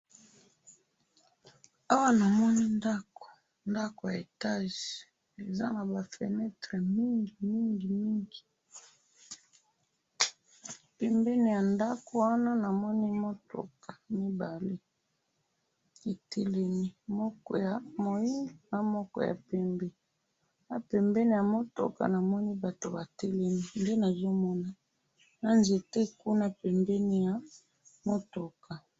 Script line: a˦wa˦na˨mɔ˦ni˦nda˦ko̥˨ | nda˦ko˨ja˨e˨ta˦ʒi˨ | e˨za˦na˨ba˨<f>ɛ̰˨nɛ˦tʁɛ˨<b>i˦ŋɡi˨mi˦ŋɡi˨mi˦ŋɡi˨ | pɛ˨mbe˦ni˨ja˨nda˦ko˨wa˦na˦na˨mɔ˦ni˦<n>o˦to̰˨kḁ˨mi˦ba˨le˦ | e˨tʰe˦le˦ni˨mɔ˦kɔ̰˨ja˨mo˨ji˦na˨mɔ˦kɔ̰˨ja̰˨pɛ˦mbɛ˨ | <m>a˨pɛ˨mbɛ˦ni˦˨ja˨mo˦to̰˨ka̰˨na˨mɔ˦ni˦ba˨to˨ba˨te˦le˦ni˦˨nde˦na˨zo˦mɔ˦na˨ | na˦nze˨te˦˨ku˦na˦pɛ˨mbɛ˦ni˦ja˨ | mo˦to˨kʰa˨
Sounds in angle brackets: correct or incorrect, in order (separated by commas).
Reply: correct, incorrect, incorrect, incorrect